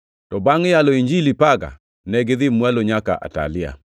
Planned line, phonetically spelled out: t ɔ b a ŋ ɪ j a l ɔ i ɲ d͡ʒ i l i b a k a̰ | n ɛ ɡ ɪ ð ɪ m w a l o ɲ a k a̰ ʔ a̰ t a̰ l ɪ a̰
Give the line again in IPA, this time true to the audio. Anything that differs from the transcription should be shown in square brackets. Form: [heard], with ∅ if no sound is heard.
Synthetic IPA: t ɔ b a ŋ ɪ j a l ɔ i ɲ d͡ʒ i l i [p] a [ɡ] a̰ | n ɛ ɡ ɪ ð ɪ m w a l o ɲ a k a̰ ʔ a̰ t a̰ l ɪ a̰